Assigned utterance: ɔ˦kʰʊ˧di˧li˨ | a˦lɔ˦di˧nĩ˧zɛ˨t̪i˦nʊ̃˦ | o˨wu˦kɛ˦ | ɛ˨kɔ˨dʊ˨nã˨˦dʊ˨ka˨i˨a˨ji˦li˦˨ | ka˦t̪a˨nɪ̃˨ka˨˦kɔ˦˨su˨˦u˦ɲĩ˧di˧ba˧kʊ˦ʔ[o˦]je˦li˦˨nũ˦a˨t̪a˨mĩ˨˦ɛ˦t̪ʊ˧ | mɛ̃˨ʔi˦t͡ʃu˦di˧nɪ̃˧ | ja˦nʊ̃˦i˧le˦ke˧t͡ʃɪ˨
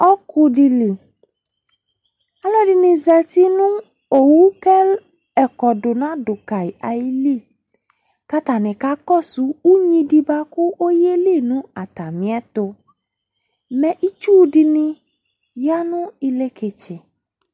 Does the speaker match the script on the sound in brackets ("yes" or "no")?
yes